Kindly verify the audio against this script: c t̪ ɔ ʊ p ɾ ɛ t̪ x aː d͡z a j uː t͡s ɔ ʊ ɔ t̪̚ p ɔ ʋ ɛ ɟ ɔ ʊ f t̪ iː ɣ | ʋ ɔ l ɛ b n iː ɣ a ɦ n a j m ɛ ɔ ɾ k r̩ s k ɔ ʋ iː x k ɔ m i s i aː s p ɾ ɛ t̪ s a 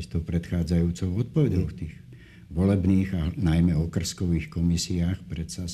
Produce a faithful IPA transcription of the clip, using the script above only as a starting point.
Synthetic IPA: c t̪ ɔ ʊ p ɾ ɛ t̪ x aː d͡z a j uː t͡s ɔ ʊ ɔ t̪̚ p ɔ ʋ ɛ ɟ ɔ ʊ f t̪ iː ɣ | ʋ ɔ l ɛ b n iː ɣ a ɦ n a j m ɛ ɔ k r̩ s k ɔ ʋ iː x k ɔ m i s i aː x p ɾ ɛ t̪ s a